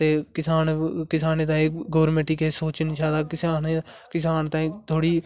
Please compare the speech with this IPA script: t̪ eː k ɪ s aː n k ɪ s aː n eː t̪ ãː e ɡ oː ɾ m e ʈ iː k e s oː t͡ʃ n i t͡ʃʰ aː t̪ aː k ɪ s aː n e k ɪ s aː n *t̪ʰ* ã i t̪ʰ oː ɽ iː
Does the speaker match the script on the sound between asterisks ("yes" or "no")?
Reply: no